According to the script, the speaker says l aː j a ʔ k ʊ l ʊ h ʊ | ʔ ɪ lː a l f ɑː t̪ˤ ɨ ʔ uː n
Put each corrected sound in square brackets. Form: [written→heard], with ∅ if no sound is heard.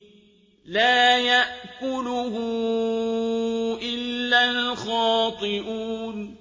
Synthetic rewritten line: l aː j a ʔ k ʊ l ʊ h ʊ | ʔ ɪ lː a l [f→x] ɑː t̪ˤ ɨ ʔ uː n